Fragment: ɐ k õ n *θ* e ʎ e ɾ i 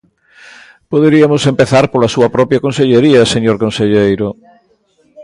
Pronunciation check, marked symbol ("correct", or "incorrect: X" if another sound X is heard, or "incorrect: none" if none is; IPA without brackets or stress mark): incorrect: s